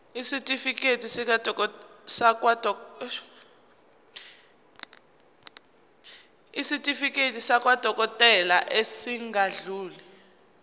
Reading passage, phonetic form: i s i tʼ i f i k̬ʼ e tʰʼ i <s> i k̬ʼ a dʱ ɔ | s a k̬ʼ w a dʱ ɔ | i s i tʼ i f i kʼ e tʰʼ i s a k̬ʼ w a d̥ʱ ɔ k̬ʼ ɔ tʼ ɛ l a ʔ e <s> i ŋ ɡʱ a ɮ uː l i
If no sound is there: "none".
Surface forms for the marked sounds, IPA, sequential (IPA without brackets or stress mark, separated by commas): s, s